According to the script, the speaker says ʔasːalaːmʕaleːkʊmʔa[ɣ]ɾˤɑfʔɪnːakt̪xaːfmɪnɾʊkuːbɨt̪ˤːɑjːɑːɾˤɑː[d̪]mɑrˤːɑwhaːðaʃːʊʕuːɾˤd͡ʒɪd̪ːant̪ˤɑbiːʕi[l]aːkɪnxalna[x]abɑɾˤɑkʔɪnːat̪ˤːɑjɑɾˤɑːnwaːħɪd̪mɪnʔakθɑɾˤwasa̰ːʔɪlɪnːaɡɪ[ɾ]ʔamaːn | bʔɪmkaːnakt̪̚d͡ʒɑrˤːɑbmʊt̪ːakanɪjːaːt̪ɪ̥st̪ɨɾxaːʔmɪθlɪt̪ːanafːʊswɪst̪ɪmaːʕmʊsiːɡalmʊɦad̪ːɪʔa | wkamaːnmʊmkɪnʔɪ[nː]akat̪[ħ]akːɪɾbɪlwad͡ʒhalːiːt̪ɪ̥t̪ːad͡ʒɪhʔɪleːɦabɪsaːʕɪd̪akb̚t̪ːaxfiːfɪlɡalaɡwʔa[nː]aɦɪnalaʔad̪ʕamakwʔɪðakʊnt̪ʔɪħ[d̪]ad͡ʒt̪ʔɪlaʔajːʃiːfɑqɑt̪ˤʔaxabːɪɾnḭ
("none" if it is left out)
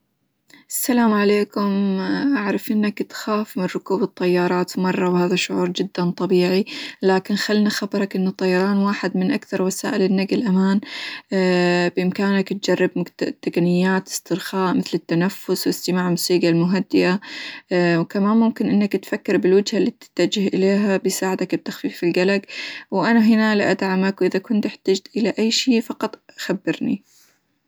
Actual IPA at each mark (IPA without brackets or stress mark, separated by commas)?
ʕ, t̪, l, x, l, nː, f, n, t̪